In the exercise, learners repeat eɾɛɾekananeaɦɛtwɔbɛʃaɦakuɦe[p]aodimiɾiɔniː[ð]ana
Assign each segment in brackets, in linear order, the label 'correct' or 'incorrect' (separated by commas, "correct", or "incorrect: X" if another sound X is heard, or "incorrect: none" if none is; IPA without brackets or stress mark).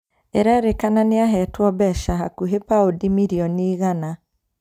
correct, incorrect: ɣ